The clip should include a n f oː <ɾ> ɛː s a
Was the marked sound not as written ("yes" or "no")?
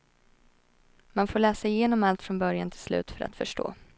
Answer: yes